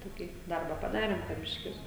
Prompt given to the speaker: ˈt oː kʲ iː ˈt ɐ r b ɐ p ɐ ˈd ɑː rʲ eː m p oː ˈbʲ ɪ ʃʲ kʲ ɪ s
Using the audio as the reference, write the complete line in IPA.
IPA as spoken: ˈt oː kʲ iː ˈd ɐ r b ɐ p ɐ ˈd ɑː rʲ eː m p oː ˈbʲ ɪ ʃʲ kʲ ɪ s